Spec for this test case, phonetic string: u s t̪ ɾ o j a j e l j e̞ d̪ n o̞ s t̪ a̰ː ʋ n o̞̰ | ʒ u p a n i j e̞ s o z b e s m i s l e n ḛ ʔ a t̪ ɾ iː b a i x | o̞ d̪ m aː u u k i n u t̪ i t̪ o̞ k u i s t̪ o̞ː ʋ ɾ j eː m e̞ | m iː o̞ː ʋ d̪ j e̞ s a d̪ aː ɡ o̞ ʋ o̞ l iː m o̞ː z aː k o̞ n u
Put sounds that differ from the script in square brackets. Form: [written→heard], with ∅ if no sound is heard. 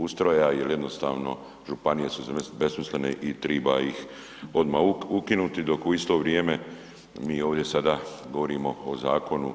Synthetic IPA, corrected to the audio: u s t̪ ɾ o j a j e l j e̞ d̪ n o̞ s t̪ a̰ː ʋ n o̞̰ | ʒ u p a n i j e̞ s [o→u] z b e s m i s l e n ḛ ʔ [a→i] t̪ ɾ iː b a i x | o̞ d̪ m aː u u k i n u t̪ i [t̪→d̪] o̞ k u i s t̪ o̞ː ʋ ɾ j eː m e̞ | m iː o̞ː ʋ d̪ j e̞ s a d̪ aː ɡ o̞ ʋ o̞ [l→ɾ] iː m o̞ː z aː k o̞ n u